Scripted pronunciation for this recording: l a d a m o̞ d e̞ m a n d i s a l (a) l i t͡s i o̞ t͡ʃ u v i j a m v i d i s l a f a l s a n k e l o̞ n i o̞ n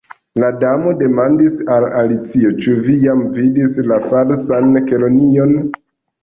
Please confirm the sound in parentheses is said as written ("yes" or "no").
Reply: yes